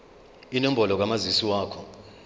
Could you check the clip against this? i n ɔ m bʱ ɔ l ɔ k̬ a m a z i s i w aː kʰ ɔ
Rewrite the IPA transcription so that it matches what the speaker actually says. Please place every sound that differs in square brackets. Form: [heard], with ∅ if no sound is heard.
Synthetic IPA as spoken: i n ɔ m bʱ ɔ l ɔ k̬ a m a z i s i w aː kʰ ɔ